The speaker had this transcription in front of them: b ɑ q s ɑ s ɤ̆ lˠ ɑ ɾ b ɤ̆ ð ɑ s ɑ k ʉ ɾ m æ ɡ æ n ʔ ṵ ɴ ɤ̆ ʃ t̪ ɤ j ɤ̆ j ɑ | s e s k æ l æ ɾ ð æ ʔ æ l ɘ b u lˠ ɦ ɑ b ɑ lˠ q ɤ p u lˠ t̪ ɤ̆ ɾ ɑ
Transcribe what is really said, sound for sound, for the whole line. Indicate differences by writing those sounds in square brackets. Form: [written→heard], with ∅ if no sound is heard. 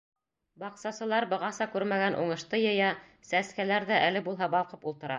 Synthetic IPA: b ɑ q s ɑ s ɤ̆ lˠ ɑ ɾ b ɤ̆ [ð→ʁ] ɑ s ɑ k ʉ ɾ m æ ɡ æ n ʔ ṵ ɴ ɤ̆ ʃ t̪ ɤ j ɤ̆ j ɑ | s [e→æ] s k æ l æ ɾ ð æ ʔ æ l ɘ b u lˠ ɦ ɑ b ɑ lˠ q ɤ p u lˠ t̪ ɤ̆ ɾ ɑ